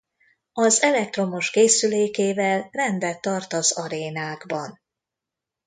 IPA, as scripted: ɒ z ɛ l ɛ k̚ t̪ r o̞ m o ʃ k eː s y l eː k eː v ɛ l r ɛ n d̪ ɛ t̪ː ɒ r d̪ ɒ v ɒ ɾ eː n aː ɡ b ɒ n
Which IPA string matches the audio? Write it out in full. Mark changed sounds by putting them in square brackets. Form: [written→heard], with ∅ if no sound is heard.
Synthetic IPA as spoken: ɒ z ɛ l ɛ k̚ t̪ r o̞ m o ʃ k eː s y l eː k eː v ɛ l r ɛ n d̪ ɛ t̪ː ɒ r [d̪→t̪] ɒ [v→z] ɒ ɾ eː n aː ɡ b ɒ n